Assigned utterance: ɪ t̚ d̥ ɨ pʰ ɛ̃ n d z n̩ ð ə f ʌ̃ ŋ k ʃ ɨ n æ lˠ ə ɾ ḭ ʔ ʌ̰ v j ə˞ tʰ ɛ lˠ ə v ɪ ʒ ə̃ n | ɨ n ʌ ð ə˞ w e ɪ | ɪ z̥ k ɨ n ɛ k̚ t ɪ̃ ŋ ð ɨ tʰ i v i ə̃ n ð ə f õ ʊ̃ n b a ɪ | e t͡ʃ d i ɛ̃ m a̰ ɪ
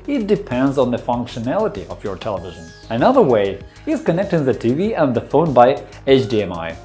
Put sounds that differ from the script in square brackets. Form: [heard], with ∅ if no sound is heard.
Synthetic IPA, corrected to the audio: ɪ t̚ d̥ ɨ pʰ ɛ̃ n d z n̩ ð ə f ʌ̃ ŋ k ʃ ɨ n æ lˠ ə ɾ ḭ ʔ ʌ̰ v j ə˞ tʰ ɛ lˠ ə v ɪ ʒ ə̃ n | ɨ n ʌ ð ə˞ w e ɪ | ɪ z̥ k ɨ n ɛ k̚ t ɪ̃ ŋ ð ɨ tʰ i v i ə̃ n ð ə f õ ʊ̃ n b a ɪ | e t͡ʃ d i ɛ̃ m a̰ ɪ